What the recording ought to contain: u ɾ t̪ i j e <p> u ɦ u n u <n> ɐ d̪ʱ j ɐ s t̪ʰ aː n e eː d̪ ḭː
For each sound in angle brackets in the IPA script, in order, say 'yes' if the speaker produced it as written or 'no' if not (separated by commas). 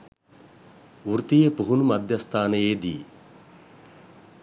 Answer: yes, no